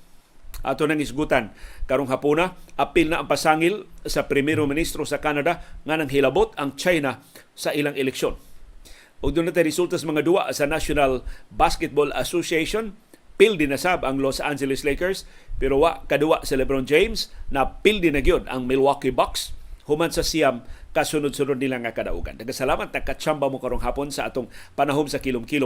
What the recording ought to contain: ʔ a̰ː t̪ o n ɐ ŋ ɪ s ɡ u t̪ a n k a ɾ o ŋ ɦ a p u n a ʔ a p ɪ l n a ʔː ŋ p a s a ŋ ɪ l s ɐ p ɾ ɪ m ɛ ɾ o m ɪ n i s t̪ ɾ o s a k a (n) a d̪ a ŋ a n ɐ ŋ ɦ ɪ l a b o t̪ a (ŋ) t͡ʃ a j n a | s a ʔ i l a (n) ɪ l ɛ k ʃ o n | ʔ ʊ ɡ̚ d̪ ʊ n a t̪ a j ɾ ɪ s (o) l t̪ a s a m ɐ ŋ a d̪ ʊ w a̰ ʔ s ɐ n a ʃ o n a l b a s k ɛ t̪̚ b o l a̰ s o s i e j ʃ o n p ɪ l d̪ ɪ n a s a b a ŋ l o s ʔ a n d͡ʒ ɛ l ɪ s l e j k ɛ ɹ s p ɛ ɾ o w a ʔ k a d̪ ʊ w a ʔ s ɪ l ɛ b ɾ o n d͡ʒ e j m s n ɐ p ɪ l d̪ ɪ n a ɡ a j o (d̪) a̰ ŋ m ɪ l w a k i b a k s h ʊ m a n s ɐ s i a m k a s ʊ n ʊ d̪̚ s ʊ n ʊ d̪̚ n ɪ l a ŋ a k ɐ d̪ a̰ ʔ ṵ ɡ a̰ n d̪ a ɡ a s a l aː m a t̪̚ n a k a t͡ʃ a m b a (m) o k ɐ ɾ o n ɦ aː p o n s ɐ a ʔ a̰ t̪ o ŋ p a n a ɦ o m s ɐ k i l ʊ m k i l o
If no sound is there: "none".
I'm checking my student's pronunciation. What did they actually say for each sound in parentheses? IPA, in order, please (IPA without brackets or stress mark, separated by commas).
n, ŋ, ŋ, u, d̪, m